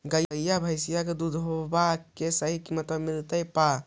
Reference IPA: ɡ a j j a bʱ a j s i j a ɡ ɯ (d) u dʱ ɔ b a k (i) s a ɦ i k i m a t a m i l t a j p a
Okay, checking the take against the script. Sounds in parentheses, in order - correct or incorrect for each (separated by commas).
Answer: correct, incorrect